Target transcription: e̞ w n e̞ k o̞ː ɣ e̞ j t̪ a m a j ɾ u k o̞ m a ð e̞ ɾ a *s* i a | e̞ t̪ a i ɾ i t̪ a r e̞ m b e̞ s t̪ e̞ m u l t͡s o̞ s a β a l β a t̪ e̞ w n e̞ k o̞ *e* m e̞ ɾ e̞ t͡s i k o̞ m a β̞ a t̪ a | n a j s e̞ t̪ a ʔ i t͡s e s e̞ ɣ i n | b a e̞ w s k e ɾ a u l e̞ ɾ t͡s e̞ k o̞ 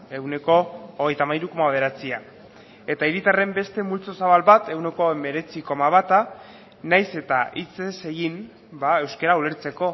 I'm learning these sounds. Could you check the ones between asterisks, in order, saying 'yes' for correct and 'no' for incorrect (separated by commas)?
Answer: no, yes